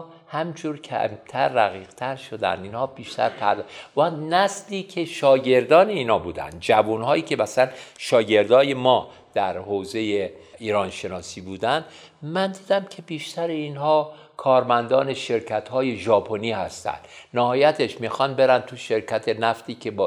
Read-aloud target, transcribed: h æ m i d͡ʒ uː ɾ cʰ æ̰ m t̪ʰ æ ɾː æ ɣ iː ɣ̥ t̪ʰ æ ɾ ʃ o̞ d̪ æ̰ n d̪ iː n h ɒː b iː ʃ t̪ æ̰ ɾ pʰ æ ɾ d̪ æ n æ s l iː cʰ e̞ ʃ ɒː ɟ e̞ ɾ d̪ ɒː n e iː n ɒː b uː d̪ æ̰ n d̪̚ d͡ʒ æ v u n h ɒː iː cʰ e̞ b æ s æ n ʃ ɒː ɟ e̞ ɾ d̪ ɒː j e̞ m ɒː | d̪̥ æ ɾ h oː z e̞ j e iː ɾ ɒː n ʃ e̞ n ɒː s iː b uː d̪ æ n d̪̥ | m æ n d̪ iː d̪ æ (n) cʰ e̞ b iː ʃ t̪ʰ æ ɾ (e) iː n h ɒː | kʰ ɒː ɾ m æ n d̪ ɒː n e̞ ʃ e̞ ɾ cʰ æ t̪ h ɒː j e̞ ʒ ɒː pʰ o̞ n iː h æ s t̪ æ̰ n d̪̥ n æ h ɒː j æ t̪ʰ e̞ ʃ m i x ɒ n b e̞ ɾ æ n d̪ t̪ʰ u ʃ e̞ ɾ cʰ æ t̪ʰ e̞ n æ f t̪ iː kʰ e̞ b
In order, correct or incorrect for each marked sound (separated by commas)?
incorrect, correct